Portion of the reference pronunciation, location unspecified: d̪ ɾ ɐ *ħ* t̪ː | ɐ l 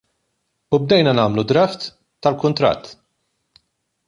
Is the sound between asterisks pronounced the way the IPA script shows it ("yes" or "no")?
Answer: no